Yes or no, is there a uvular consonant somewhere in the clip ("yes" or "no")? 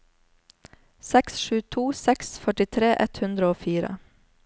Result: no